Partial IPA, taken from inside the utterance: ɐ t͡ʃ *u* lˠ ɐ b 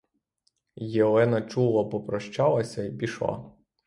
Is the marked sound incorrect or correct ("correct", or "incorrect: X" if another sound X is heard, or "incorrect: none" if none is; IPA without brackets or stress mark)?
correct